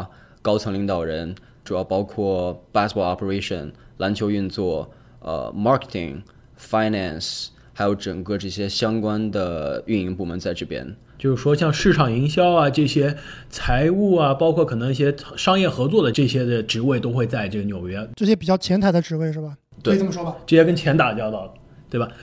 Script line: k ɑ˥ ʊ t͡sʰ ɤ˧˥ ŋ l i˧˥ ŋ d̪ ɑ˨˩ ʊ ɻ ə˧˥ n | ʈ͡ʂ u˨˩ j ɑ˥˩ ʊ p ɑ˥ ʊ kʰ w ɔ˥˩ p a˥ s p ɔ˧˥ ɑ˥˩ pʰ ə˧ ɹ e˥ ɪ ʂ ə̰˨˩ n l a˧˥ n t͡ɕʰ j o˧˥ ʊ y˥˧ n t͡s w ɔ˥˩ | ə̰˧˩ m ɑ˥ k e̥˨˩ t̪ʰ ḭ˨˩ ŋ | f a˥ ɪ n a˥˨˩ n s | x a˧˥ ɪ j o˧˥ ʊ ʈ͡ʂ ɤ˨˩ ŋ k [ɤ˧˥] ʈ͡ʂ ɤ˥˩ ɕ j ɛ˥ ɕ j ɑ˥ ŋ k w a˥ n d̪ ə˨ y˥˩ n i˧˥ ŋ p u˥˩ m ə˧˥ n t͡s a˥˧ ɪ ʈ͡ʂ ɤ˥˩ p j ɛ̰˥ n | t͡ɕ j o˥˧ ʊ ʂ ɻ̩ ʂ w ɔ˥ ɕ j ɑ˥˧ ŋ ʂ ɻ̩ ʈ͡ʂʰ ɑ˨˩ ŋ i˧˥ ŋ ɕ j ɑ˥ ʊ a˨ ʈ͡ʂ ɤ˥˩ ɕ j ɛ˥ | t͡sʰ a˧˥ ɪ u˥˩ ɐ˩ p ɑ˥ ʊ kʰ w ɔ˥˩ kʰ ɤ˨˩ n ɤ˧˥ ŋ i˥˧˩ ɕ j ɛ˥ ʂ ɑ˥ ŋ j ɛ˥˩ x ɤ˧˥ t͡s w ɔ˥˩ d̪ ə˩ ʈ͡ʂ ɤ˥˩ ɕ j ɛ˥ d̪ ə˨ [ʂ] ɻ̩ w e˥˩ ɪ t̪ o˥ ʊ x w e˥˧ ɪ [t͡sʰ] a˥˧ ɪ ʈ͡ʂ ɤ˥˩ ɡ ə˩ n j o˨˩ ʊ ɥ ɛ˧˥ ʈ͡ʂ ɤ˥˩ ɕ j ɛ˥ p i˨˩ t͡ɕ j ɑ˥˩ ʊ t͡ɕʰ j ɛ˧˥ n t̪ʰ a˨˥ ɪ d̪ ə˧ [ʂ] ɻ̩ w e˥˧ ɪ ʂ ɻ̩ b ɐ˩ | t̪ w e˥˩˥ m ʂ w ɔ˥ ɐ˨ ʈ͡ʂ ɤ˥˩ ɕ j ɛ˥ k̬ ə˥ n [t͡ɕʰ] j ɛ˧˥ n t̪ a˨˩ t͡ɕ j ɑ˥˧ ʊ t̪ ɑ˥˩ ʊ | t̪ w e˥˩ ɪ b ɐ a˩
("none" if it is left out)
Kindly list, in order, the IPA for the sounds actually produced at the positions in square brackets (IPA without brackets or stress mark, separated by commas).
ɤ˥˧, ʈ͡ʂ, t͡s, ʈ͡ʂ, t͡ɕʰ